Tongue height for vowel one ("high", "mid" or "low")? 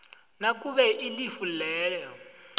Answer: low